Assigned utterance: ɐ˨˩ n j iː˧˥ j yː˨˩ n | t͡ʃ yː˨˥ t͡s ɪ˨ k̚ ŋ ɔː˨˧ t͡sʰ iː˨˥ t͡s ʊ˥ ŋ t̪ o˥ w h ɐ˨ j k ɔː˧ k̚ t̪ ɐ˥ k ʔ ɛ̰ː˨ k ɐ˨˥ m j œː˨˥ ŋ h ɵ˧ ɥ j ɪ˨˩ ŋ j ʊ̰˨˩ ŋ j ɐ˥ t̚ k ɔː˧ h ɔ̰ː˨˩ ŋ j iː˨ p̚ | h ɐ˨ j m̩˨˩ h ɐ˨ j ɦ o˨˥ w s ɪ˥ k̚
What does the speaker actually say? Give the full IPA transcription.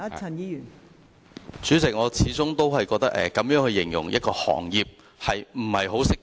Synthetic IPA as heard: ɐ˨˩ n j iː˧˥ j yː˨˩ n | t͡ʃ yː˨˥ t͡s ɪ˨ k̚ ŋ ɔː˨˧ t͡sʰ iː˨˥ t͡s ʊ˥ ŋ t̪ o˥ w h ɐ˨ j k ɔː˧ k̚ t̪ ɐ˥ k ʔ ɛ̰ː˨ k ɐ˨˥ m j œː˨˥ ŋ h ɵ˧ ɥ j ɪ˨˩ ŋ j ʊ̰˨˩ ŋ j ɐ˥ t̚ k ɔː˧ h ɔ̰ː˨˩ ŋ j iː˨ p̚ | h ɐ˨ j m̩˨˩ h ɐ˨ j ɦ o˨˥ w s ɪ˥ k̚

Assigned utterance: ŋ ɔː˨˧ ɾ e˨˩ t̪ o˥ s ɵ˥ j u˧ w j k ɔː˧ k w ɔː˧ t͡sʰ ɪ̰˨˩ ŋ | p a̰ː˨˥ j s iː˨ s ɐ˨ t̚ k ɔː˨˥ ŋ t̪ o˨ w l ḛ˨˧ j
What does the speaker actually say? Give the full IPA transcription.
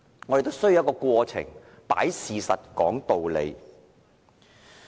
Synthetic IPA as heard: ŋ ɔ˨˧ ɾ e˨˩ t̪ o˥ s ɵ˥ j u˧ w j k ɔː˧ k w ɔː˧ t͡sʰ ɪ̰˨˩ ŋ | p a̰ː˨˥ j s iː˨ s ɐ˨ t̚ k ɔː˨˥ ŋ t̪ o˨ w l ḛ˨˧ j

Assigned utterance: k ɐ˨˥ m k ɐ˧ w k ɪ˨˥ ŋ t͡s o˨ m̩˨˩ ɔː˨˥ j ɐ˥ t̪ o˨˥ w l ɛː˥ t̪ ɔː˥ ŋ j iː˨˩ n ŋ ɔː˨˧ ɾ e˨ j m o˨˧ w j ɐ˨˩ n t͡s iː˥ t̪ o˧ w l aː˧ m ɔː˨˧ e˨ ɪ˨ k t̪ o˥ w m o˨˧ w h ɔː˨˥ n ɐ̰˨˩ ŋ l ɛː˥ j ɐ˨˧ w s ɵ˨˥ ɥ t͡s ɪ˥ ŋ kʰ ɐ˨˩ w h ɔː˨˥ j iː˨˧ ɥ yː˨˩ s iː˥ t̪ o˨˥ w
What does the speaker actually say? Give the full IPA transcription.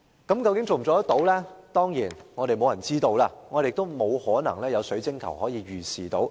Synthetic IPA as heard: k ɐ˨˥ m k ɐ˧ w k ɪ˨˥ ŋ t͡s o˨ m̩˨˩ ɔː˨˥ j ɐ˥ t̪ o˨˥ w l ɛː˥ t̪ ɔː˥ ŋ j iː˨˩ n ŋ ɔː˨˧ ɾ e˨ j m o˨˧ w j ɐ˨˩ n t͡s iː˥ t̪ o˧ w l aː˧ ŋ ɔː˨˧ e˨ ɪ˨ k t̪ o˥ w m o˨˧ w h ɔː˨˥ n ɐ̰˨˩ ŋ l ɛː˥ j ɐ˨˧ w s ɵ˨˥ ɥ t͡s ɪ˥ ŋ kʰ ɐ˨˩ w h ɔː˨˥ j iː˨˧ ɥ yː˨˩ s iː˨˩ t̪ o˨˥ w

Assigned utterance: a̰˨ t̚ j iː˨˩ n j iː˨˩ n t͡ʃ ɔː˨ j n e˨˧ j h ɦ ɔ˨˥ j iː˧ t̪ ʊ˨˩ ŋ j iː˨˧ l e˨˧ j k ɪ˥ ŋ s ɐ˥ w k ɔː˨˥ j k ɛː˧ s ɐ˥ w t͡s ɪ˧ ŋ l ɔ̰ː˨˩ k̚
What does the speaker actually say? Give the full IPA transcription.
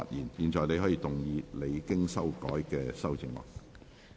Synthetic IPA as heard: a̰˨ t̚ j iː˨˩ n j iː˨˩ n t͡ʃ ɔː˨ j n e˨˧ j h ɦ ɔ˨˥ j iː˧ t̪ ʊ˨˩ ŋ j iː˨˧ l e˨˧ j k ɪ˥ ŋ s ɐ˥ w k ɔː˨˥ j k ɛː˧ s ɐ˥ w t͡s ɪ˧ ŋ l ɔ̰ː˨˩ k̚

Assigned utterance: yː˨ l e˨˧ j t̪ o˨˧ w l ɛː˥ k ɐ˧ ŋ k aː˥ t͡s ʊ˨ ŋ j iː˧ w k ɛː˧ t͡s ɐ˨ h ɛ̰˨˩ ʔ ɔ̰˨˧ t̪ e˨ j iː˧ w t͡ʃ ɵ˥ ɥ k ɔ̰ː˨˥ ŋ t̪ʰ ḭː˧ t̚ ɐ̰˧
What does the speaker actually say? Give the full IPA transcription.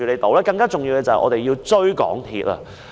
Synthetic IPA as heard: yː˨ l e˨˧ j t̪ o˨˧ w l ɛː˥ k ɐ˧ ŋ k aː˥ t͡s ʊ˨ ŋ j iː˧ w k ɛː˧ t͡s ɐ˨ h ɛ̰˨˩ ʔ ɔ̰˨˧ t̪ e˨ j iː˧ w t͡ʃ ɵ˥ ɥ k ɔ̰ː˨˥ ŋ t̪ʰ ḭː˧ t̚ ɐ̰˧

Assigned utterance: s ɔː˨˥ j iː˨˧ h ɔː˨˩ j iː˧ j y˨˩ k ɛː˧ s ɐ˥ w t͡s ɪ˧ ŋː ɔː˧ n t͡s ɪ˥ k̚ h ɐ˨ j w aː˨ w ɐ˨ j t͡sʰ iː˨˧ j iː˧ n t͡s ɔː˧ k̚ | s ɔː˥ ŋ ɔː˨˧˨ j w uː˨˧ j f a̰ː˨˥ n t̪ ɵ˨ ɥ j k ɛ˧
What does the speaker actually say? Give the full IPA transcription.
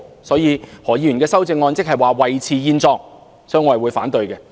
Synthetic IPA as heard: s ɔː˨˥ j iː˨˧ h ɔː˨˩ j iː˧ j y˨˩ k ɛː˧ s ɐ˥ w t͡s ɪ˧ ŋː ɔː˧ n t͡s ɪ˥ k̚ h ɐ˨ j w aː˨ w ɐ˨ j t͡sʰ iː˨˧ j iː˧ n t͡s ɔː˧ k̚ | s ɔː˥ ŋ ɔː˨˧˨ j w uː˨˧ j f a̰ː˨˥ n t̪ ɵ˨ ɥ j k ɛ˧

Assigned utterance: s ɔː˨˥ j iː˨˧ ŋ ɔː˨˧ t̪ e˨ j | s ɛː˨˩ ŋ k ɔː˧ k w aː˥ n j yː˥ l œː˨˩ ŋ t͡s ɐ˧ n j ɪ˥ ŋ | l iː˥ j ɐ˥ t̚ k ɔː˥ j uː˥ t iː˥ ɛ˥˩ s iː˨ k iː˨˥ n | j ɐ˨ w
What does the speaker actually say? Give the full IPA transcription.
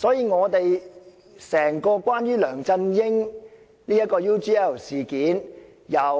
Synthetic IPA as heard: s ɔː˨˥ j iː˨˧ ŋ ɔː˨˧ t̪ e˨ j | s ɛː˨˩ ŋ k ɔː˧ k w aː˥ n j yː˥ l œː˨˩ ŋ t͡s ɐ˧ n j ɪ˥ ŋ | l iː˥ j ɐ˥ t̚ k ɔː˧ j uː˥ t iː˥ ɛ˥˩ s iː˨ k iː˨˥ n | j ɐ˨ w

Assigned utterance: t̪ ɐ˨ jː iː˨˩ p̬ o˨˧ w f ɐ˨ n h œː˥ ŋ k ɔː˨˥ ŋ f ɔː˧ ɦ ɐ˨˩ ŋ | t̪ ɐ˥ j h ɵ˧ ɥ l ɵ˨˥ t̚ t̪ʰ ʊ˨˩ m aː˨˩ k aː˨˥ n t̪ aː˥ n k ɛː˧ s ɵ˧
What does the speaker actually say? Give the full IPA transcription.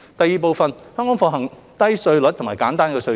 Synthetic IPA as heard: t̪ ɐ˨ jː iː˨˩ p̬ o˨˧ w f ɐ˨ n h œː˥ ŋ k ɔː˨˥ ŋ f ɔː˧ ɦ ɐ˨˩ ŋ | t̪ ɐ˥ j s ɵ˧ ɥ l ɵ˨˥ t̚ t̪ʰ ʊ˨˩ m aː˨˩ k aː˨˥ n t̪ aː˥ n k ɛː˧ s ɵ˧

